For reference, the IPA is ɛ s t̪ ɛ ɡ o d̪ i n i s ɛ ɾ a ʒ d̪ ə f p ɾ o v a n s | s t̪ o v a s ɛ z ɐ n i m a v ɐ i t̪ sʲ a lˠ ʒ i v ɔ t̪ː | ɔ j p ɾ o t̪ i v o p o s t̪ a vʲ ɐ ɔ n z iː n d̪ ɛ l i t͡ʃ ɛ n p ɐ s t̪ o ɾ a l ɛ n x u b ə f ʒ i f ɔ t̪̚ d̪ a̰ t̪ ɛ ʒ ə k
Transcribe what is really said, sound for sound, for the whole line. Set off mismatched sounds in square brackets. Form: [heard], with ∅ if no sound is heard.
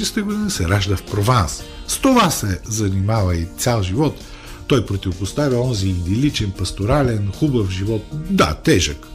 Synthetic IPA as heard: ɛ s t̪ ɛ ɡ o d̪ i n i s ɛ ɾ a ʒ d̪ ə f p ɾ o v a n s | s t̪ o v a s ɛ z ɐ n i m a v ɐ i t̪ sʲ a lˠ ʒ i v ɔ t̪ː | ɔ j p ɾ o t̪ i v o p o s t̪ a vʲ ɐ ɔ n z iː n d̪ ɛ l i t͡ʃ ɛ n p ɐ s t̪ o ɾ a l ɛ n x u b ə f ʒ i [v] ɔ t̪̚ d̪ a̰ t̪ ɛ ʒ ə k